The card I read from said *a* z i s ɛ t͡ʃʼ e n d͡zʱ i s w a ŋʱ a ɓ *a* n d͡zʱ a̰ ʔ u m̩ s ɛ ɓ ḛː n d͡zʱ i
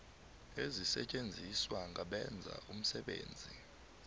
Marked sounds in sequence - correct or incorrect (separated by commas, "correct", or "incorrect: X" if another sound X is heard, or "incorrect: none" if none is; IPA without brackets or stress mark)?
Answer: incorrect: e, incorrect: ɛ